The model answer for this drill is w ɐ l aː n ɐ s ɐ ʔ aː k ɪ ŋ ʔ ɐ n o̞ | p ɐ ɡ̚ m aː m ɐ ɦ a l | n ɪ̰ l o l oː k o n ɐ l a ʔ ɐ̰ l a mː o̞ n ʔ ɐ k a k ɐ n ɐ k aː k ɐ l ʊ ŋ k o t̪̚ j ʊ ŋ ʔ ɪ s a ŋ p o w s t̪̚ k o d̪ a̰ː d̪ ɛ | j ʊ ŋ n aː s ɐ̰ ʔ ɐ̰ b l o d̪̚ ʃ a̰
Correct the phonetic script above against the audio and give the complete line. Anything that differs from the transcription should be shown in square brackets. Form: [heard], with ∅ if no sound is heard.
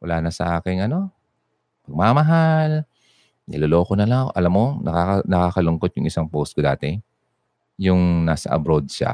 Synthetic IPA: w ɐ l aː n ɐ s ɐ ʔ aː k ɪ ŋ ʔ ɐ n o̞ | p ɐ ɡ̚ m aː m ɐ ɦ a l | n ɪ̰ l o l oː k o n ɐ l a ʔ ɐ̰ l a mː o̞ n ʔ ɐ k a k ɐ n ɐ k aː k ɐ l ʊ ŋ k o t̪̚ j ʊ ŋ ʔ ɪ s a ŋ p o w s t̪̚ k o d̪ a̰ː [t̪] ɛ | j ʊ ŋ n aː s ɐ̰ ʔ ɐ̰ b [ɾ] o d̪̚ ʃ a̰